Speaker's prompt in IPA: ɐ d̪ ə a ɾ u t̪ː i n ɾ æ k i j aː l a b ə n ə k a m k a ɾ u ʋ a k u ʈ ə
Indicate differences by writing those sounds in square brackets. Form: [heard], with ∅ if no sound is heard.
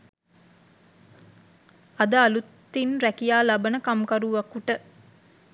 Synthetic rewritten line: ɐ d̪ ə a [l] u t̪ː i n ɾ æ k i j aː l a b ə n ə k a m k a ɾ u ʋ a k u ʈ ə